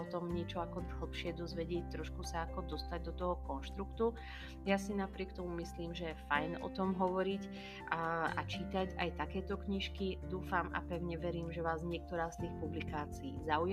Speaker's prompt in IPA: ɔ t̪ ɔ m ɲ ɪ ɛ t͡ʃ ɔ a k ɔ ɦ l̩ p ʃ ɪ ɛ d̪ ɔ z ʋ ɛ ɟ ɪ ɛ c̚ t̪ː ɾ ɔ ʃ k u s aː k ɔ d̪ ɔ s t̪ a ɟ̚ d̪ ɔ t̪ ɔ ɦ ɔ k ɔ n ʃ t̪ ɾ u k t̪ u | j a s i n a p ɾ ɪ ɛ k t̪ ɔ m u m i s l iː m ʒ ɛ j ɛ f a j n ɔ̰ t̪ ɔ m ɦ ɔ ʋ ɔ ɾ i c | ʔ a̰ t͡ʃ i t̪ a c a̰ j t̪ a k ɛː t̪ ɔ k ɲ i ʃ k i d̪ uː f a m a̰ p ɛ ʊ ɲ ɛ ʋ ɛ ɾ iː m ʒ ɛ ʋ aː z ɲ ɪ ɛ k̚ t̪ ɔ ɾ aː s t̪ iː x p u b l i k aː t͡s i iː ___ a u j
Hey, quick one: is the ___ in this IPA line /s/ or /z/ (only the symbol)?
z